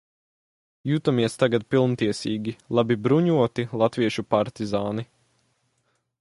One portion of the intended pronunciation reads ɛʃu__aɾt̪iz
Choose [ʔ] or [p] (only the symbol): p